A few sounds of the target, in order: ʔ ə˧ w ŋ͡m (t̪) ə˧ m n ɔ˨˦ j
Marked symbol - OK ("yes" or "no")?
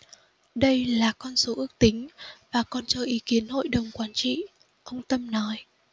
yes